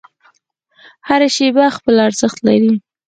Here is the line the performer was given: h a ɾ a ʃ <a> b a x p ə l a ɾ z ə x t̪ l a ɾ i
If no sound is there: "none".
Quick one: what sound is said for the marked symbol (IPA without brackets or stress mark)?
e